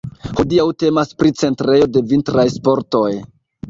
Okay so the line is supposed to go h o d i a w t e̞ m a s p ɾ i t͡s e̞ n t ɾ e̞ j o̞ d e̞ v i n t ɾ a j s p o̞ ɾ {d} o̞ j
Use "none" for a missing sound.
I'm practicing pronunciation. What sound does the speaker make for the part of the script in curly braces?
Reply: t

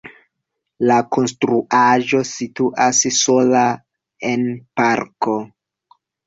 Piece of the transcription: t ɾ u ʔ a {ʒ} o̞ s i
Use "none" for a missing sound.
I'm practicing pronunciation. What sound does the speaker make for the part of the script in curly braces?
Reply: ʒ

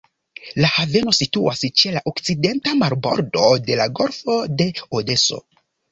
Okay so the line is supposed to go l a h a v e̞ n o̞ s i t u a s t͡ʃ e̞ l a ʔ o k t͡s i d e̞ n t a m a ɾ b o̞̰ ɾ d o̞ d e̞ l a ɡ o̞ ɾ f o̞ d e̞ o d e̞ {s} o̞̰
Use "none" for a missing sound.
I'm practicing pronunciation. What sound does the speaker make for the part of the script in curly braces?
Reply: s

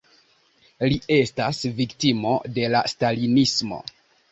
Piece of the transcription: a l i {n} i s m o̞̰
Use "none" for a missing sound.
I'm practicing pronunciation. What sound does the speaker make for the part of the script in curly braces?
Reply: n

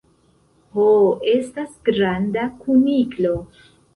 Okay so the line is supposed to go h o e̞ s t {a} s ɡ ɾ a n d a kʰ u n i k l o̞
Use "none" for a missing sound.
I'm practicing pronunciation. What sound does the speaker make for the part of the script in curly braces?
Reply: a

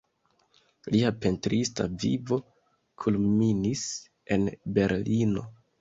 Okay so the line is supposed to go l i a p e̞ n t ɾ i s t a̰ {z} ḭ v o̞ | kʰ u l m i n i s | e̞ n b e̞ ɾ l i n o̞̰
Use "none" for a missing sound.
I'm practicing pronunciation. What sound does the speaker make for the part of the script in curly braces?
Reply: v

